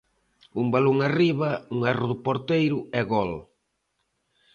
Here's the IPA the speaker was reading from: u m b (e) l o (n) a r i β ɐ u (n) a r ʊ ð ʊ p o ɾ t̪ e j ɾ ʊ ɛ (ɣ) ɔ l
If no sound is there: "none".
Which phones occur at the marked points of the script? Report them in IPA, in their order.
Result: a, ŋ, ŋ, ɣ

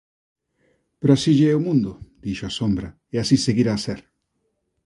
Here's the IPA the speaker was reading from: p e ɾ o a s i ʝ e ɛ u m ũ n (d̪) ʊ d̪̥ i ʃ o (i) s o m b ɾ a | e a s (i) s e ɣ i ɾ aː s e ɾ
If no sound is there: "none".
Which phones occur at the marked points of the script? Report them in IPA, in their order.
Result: d̪, a, i

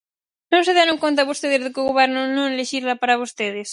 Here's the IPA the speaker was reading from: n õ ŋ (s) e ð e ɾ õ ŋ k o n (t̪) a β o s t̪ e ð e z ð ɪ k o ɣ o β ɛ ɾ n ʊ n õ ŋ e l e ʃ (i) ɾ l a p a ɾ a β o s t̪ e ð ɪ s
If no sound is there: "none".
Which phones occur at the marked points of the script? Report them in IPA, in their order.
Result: s, t̪, i

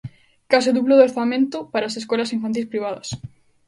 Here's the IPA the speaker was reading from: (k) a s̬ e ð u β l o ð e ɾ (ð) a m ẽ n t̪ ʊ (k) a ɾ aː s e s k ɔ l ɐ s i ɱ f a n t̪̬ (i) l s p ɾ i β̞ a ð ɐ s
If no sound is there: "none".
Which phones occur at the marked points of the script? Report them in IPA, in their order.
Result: k, θ, p, i

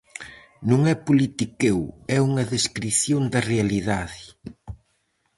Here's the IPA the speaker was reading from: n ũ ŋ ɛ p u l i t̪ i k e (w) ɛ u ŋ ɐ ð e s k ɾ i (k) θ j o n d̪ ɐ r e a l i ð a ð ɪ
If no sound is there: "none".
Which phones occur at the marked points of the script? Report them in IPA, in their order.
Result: w, none

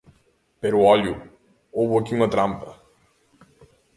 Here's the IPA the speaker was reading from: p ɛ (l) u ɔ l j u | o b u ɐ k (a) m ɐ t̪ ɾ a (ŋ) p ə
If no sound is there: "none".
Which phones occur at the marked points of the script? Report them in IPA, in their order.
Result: ɾ, i, m

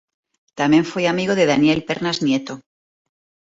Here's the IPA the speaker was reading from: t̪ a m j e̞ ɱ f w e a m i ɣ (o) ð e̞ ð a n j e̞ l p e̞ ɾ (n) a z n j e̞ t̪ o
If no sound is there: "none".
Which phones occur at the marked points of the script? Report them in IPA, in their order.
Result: o, n

